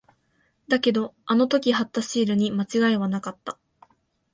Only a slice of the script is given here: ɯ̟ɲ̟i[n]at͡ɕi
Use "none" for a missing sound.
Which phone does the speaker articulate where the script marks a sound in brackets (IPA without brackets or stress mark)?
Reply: m